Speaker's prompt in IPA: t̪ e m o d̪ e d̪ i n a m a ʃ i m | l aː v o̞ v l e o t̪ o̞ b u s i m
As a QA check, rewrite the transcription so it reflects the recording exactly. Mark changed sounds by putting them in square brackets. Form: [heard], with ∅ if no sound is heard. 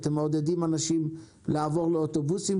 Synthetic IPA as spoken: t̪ e m o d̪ e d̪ i [m] a [n] a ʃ i m | l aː v o̞ [ʁ] l e o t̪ o̞ b u s i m